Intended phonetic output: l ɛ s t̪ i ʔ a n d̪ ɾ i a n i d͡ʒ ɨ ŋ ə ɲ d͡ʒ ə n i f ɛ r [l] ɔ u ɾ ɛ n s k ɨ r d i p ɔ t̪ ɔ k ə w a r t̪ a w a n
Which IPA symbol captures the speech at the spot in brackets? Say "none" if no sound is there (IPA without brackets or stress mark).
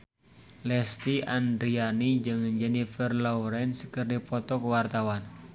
l